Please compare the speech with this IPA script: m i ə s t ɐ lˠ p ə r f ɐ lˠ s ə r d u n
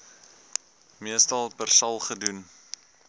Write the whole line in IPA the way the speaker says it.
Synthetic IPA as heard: m i ə s t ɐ lˠ p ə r s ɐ lˠ χ ə d u n